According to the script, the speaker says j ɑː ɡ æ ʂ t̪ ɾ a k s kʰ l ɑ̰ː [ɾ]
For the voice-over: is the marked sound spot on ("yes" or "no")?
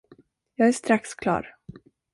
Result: yes